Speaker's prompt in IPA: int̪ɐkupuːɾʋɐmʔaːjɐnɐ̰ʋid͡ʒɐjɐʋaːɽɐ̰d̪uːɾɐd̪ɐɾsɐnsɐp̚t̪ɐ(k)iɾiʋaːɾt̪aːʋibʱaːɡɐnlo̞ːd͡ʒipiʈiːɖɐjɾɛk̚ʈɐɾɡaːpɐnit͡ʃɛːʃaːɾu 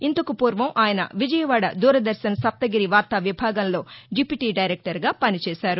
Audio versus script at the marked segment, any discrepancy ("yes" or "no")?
yes